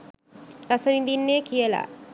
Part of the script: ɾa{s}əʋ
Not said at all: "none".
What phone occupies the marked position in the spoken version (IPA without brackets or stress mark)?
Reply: s